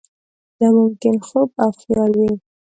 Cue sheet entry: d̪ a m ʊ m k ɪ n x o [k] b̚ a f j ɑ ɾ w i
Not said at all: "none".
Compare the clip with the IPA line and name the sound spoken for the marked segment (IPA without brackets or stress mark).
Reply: none